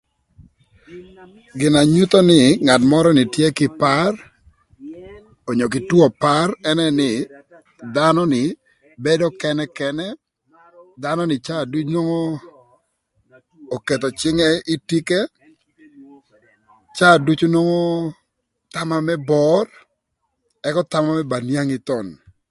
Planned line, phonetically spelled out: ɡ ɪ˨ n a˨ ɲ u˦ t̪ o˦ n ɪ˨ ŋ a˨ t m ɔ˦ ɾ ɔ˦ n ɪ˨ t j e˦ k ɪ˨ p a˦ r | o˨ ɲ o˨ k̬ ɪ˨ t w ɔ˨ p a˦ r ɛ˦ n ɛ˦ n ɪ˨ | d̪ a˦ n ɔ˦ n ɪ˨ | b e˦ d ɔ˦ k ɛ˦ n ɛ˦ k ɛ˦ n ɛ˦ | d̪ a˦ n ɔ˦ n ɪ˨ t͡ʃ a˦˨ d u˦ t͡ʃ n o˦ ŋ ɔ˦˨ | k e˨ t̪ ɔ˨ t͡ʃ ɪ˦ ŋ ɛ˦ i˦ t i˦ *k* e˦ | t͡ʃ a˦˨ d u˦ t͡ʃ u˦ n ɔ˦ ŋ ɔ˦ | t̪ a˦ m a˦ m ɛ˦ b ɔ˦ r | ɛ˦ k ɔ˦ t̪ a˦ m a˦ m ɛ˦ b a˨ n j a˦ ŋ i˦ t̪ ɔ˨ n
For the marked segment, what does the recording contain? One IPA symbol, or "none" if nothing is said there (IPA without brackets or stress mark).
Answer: k